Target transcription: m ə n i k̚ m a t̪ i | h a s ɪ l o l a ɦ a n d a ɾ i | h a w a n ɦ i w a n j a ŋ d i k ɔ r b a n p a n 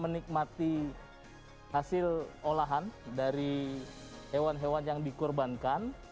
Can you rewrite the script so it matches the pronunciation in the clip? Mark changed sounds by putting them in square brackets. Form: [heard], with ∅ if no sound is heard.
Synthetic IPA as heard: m ə n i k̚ m a t̪ i | h a s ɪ l o l a ɦ a n d a ɾ i | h [e] w a n ɦ [e] w a n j a ŋ d i k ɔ r b a n [k] a n